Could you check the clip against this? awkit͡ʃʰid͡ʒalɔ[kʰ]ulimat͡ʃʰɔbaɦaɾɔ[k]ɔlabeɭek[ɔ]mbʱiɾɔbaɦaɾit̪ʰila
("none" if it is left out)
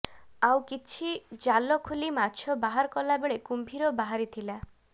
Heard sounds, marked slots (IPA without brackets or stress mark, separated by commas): kʰ, k, u